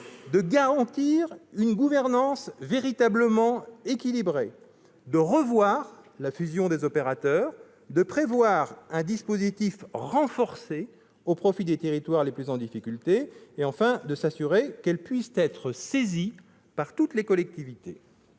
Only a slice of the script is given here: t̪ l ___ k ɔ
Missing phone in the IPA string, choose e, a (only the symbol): e